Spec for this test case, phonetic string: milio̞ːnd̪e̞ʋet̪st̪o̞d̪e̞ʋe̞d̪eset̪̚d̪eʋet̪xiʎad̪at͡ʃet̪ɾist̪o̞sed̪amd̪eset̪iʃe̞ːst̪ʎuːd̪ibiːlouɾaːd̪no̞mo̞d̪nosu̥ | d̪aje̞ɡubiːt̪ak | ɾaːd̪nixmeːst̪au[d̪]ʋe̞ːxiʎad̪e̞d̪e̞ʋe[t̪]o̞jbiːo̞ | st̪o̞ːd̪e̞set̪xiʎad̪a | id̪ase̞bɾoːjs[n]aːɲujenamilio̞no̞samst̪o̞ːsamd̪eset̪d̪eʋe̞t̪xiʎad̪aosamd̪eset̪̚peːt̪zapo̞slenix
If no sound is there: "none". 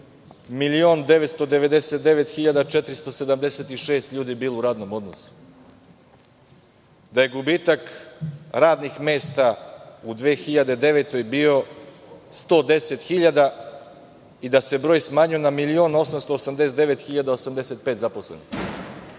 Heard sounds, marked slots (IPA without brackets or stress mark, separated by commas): d̪, t̪, m